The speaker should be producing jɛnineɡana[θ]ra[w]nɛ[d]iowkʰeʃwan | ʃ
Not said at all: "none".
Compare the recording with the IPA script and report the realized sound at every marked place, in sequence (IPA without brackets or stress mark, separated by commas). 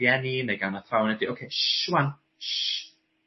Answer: θ, w, d